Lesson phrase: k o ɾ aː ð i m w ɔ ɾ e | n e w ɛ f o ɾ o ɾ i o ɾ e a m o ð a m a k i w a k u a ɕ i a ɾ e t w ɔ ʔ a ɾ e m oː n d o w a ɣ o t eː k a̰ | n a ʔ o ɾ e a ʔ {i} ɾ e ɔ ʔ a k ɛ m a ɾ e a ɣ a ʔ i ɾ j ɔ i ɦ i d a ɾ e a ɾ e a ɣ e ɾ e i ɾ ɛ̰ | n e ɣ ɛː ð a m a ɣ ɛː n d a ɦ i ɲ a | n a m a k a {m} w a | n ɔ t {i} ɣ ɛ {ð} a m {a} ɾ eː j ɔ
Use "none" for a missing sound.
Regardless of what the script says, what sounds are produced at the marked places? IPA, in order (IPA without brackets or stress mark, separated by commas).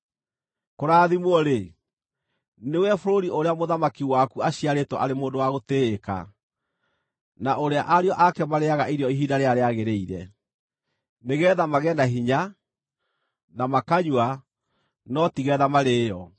a, ɲ, i, ð, a